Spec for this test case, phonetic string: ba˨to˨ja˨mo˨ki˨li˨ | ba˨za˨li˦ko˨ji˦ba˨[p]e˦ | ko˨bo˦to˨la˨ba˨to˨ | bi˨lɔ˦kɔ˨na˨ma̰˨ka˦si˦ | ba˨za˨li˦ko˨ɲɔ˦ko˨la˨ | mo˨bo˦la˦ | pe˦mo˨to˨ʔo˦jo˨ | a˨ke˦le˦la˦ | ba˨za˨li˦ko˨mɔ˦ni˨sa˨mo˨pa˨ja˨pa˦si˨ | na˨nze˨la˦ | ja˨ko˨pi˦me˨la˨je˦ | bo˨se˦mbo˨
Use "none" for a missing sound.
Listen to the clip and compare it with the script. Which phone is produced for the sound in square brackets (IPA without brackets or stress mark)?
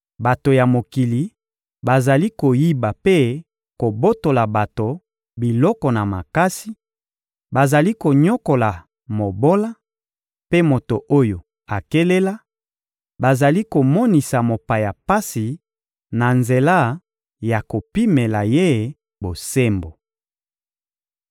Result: p